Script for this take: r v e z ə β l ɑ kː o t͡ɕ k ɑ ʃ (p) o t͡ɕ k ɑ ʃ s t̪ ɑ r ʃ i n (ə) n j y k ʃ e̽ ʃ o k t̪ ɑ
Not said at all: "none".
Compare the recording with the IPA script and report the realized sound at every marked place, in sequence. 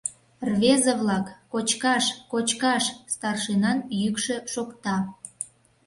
k, ɑ

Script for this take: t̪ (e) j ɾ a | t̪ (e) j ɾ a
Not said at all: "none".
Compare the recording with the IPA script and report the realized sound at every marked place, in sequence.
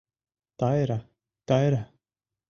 a, a

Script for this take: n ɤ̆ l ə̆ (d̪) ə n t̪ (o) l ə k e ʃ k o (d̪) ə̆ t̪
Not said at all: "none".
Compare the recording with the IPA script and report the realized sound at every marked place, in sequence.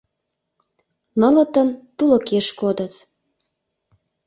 t̪, u, d̪

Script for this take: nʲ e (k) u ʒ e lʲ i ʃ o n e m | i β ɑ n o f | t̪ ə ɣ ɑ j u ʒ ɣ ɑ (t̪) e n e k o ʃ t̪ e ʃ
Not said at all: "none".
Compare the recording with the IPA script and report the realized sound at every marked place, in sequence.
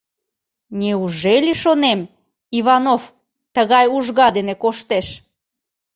none, d̪

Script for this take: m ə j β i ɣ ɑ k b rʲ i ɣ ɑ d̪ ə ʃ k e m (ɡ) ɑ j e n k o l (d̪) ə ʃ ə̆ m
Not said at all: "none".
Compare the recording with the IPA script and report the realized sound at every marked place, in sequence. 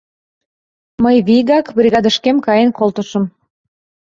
k, t̪

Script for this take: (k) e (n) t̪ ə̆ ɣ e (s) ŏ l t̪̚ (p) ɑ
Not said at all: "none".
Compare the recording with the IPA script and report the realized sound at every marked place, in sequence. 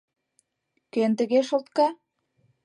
k, n, ʃ, k

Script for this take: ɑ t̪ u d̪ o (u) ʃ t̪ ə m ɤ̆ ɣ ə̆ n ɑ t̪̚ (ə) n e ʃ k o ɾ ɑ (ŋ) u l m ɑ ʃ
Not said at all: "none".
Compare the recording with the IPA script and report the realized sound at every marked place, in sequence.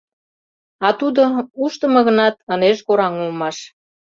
u, ə, ŋ

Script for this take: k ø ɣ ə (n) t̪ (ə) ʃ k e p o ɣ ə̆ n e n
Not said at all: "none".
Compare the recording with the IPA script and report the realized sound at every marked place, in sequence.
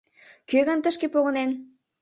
n, ə

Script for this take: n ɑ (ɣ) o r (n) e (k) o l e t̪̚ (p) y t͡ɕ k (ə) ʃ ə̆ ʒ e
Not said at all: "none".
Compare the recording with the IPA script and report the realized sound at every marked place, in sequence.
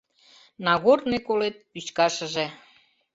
ɣ, n, k, p, ɑ

